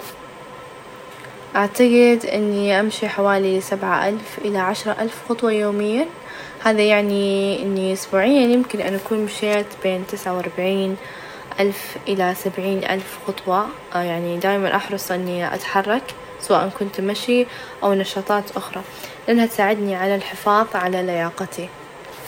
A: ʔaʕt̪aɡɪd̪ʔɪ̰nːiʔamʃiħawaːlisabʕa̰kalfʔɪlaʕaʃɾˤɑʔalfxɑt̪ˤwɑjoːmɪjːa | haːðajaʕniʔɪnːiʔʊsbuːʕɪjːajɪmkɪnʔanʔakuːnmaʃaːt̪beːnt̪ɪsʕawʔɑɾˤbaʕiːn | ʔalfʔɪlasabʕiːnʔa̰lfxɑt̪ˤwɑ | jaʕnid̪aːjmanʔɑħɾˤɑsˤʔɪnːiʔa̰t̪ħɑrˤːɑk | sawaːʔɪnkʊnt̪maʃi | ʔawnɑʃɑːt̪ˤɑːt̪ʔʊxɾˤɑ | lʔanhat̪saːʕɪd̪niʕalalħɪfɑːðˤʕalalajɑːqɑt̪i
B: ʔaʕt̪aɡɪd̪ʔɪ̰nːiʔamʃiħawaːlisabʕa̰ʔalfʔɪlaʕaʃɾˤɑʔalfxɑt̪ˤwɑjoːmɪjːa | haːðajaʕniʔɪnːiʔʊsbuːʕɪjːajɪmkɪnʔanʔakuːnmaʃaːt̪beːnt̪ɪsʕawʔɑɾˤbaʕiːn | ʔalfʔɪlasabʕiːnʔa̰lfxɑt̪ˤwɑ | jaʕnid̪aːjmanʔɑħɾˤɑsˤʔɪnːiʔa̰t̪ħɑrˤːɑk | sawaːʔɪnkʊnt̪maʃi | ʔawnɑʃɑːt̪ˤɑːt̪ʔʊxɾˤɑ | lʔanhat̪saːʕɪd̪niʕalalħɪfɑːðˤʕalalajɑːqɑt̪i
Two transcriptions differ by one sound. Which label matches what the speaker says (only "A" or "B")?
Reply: B